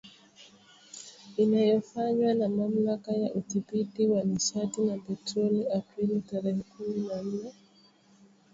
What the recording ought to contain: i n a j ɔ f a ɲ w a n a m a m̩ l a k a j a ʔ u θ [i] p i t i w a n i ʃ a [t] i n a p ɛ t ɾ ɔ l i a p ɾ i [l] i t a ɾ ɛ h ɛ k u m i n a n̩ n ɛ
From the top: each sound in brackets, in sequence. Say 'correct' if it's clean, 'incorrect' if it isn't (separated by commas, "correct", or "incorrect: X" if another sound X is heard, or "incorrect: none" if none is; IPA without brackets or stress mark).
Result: correct, correct, correct